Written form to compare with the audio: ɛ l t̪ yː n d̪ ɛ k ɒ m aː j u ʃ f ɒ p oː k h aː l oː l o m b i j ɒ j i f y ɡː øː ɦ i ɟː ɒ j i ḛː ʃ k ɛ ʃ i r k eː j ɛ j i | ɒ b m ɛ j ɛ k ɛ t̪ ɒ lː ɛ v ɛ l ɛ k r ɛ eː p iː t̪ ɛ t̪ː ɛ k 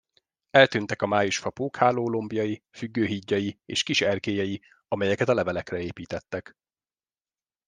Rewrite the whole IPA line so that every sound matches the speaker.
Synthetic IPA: ɛ l t̪ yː n t̪ ɛ k ɒ m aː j u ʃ f ɒ p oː k h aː l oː l o m b i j ɒ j i f y ɡː øː ɦ i ɟː ɒ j i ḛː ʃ k i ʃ ɛ r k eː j ɛ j i | ɒ m ɛ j ɛ k ɛ t̪ ɒ l ɛ v ɛ l ɛ k r ɛ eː p iː t̪ ɛ t̪ː ɛ k